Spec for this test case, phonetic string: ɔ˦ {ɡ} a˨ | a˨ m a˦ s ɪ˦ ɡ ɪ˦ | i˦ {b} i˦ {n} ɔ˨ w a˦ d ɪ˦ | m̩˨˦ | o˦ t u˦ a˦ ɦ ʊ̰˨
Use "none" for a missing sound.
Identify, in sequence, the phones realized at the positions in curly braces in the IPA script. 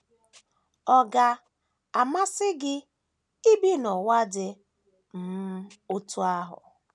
ɡ, b, n

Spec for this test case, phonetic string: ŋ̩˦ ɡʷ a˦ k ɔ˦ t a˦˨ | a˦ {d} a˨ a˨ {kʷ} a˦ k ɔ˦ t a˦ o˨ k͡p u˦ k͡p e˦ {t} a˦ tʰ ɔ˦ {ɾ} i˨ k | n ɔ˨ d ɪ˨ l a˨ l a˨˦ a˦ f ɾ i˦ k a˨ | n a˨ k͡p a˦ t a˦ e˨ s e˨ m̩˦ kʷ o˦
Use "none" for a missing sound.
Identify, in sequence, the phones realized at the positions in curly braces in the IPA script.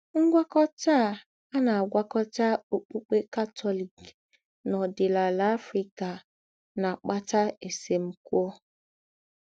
n, ɡʷ, k, l

